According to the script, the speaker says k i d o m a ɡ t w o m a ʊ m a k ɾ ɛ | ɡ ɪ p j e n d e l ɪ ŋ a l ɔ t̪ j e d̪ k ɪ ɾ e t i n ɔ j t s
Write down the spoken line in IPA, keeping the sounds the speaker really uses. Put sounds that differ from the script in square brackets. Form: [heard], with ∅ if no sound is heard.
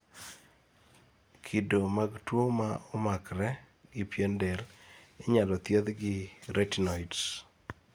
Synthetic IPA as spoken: [kʰ] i d o m a ɡ t w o m a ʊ m a k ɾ ɛ | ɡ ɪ p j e n d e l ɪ [ɲ] a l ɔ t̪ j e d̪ [ɡ] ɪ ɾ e t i n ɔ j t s